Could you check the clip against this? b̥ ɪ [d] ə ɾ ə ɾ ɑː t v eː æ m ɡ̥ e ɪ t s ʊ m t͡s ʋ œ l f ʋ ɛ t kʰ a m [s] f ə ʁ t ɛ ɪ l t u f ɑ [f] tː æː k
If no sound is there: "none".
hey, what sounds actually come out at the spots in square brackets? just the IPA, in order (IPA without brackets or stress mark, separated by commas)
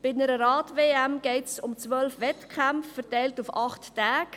n, f, χ